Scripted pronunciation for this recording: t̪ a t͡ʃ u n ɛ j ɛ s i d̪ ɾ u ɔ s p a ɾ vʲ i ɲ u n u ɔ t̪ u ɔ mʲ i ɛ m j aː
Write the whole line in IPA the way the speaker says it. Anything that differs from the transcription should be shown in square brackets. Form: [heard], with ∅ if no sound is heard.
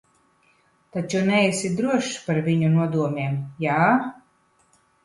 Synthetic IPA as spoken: t̪ a t͡ʃ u n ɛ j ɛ s i d̪ ɾ u ɔ [ʃ] p a ɾ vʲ i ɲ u n u ɔ [d̪] u ɔ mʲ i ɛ m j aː